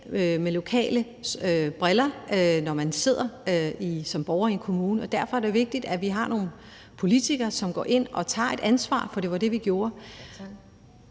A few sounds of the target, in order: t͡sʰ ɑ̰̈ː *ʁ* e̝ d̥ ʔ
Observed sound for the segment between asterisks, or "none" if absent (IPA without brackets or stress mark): none